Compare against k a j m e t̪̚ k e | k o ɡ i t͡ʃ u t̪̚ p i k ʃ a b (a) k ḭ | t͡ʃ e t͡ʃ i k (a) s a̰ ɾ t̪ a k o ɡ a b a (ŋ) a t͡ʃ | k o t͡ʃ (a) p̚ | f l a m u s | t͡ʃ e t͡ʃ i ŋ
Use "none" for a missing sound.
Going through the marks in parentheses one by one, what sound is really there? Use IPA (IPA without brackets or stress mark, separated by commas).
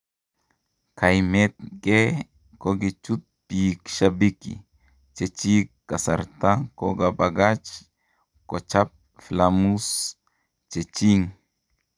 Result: i, a, ɡ, a